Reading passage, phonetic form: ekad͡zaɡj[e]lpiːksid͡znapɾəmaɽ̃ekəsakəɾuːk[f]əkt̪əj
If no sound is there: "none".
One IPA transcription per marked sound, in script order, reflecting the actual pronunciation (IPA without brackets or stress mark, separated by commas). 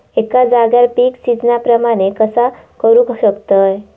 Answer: a, ɕ